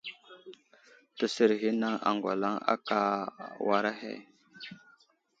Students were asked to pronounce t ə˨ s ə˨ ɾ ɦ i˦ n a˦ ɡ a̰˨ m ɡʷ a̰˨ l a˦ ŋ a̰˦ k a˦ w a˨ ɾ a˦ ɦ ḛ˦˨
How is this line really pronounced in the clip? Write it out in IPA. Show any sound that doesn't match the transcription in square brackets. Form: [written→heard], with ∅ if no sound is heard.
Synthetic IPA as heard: t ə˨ s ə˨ ɾ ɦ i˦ n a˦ [ɡ→ŋ] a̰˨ [m→ŋ] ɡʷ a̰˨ l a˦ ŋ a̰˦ k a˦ w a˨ ɾ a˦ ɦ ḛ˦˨

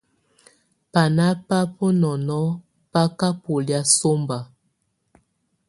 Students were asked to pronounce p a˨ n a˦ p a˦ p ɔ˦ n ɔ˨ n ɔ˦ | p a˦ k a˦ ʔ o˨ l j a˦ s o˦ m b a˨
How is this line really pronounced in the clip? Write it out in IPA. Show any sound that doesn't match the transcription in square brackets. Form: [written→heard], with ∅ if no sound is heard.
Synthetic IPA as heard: p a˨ n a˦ p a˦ p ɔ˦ n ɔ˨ n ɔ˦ | p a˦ k a˦ [ʔ→p] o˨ l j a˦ s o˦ m b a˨

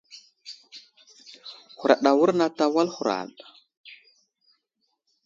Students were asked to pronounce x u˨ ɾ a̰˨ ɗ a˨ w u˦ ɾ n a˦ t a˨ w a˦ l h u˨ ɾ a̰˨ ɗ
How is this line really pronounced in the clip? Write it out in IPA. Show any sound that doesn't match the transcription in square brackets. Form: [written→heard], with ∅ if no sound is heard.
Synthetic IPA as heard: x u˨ ɾ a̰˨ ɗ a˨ w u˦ ɾ n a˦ t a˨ w a˦ l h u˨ ɾ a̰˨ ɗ

